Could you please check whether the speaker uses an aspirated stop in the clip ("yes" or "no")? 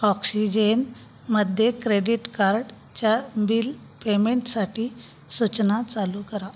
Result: no